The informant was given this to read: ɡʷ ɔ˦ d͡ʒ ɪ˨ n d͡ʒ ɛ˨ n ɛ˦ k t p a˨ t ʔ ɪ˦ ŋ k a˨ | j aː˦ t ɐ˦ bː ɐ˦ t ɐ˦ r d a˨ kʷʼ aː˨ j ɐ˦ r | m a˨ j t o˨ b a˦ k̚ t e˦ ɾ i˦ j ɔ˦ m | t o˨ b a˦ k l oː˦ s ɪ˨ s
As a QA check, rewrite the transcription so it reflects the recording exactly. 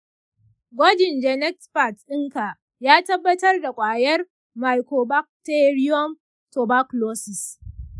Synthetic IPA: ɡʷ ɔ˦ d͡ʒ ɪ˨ n d͡ʒ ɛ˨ n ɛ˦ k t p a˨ t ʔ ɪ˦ ŋ k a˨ | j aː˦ t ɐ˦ bː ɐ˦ t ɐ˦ r d a˨ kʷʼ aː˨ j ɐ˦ r | m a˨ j k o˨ b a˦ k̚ t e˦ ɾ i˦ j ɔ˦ m | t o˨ b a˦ k l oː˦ s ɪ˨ s